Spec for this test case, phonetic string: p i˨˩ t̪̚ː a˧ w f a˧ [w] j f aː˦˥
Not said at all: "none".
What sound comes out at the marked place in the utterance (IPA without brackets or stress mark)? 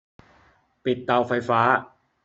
none